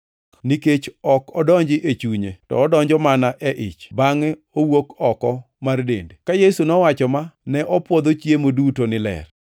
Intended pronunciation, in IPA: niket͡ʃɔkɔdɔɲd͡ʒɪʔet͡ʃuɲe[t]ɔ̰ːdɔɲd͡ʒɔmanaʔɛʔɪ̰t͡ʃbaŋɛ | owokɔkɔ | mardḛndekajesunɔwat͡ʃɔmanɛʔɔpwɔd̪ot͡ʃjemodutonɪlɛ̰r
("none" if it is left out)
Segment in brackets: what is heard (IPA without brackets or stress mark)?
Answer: t